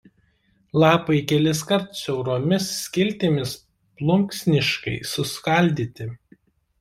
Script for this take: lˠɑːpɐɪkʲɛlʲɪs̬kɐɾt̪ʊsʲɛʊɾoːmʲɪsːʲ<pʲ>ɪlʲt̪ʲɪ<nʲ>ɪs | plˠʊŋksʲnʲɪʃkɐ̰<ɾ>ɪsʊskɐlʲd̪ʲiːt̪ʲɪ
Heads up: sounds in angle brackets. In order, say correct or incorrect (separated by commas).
incorrect, incorrect, incorrect